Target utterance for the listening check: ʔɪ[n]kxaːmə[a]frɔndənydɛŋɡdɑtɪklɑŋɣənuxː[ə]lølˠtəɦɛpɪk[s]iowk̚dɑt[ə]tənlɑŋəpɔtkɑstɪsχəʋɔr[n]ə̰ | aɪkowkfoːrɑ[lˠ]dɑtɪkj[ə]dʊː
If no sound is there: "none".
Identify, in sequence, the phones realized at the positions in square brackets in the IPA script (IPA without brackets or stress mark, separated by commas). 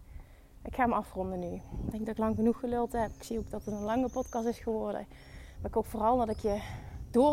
none, ɑ, ə, s, ə, d, lˠ, ə